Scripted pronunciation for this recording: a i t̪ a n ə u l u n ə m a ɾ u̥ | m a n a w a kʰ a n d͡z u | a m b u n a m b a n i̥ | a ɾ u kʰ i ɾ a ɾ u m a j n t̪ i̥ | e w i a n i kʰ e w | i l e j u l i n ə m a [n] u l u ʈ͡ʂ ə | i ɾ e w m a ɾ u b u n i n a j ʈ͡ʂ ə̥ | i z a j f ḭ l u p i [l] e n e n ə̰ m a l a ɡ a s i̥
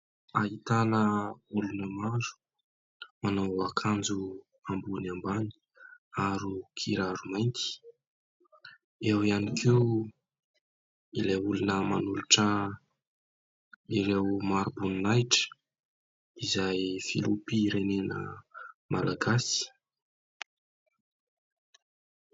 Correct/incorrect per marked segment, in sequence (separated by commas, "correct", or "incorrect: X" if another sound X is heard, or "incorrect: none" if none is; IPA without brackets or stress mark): correct, incorrect: ɾ